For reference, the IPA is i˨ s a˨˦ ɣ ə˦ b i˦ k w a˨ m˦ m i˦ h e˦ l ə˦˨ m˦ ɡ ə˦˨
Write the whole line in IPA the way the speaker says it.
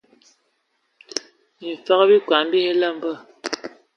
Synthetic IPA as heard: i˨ f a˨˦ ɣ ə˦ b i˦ k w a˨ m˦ b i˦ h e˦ l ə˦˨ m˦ b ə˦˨

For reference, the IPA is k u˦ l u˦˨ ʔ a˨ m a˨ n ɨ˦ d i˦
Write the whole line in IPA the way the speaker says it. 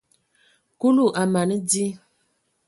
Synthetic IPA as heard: k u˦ l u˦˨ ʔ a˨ m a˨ n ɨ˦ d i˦

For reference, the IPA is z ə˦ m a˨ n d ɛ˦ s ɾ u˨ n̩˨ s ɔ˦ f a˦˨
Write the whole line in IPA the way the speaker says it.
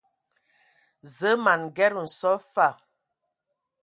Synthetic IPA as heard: z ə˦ m a˨ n ɡ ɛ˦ ɾ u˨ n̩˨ s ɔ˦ f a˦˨

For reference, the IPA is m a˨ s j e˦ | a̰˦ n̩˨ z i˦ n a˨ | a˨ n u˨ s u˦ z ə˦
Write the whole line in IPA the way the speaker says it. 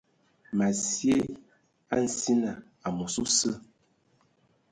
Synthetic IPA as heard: m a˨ s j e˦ | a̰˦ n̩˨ s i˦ n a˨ | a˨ m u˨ s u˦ s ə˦

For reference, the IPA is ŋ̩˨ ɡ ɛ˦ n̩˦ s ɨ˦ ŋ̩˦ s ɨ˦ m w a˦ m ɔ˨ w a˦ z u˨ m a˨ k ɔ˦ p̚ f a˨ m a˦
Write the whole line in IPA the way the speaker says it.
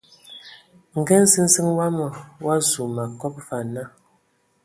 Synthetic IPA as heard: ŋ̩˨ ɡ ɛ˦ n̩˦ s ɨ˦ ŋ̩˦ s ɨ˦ ŋ w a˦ m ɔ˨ w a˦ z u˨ m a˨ k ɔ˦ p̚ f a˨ n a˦

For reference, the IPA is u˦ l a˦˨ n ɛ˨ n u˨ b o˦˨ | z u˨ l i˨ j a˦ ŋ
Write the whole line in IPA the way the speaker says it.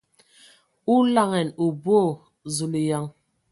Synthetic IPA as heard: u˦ l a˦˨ ŋ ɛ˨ n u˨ b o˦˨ | z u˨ l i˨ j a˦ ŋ

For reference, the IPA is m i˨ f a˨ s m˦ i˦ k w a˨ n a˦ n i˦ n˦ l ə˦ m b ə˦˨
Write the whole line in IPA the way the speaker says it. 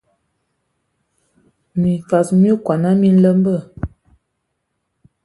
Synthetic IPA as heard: m i˨ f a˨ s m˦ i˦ k w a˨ n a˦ m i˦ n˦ l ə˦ m b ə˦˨

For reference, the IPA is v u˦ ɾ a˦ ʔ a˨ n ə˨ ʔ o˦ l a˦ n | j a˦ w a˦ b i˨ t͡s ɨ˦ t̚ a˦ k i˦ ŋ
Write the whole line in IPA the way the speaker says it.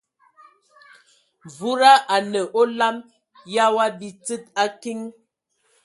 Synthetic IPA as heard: v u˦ ɾ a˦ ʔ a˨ n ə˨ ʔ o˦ l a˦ m | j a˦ w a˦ b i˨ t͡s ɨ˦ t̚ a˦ k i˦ ŋ

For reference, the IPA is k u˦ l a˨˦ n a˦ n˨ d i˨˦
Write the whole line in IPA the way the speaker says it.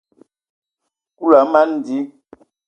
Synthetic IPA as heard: k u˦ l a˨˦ m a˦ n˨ d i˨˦

